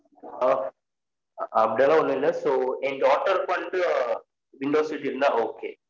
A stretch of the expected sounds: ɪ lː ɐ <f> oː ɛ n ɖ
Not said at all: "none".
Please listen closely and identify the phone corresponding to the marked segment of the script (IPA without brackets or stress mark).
s